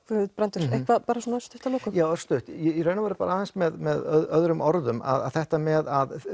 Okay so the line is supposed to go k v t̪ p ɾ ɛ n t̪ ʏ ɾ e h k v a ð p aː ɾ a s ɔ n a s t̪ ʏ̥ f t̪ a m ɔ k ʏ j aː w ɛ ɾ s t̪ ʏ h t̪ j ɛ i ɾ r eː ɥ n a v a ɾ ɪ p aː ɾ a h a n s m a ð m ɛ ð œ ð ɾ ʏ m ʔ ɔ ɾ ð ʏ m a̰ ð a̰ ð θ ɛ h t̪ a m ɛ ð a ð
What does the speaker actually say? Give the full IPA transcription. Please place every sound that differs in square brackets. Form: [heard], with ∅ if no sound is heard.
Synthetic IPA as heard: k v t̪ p ɾ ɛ n t̪ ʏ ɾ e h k v a ð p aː ɾ a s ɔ n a s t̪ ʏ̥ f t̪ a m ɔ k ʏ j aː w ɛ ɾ s t̪ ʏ h t̪ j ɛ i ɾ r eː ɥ n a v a ɾ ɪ p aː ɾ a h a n s m [ɛ] ð m ɛ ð œ ð ɾ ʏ m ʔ ɔ ɾ ð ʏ m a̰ ð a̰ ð θ ɛ h t̪ a m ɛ ð a ð